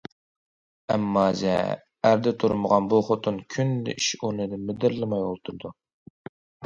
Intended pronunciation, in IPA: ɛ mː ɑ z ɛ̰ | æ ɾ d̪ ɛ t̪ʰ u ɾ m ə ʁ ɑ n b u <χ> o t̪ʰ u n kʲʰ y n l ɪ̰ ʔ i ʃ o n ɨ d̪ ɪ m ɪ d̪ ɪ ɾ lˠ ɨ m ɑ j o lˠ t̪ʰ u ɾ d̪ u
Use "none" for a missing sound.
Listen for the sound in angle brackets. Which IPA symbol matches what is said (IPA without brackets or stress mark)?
χ